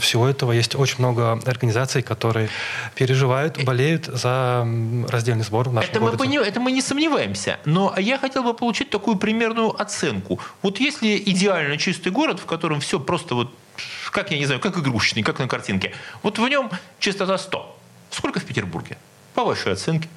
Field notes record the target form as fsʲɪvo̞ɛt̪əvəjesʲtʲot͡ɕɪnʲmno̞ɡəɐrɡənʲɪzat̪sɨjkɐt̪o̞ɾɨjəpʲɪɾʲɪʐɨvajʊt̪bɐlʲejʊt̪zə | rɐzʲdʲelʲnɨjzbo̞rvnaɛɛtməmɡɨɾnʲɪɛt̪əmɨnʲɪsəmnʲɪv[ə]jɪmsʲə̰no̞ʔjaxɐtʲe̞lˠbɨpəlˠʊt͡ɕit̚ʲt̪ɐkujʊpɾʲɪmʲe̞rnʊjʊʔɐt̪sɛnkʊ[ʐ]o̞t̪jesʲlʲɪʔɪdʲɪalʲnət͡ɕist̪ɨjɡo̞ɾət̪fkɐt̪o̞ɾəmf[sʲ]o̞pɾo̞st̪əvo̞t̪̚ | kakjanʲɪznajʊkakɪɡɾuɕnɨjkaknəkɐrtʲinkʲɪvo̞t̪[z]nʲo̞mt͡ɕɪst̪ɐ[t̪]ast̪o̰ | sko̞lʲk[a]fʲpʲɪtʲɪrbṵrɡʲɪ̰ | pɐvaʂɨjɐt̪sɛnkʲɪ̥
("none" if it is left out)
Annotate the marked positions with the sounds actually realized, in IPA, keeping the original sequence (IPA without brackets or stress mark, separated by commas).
a, v, sʲ, v, t̪, ə